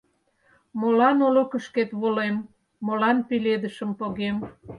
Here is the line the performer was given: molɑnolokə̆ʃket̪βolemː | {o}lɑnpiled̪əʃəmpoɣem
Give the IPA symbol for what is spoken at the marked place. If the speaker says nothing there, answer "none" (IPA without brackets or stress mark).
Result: o